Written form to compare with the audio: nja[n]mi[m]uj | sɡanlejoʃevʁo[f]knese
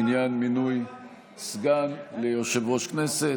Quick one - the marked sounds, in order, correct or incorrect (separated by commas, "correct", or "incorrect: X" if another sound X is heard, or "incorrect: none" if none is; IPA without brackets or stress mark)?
correct, incorrect: n, incorrect: ʃ